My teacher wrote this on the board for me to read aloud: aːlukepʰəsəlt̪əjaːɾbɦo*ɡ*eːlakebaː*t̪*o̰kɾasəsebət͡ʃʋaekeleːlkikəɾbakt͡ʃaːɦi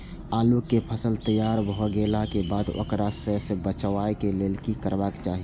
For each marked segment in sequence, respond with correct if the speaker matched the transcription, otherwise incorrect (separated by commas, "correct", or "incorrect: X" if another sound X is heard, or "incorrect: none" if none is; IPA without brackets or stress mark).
correct, incorrect: d̪